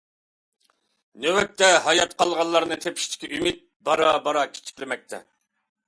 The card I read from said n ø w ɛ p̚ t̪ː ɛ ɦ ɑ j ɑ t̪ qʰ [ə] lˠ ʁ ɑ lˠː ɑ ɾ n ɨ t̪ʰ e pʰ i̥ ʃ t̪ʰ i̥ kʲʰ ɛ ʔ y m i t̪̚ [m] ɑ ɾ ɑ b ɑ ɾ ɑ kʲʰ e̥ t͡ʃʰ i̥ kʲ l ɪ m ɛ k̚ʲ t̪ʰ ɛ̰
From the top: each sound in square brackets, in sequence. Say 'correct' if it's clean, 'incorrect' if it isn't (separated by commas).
incorrect, incorrect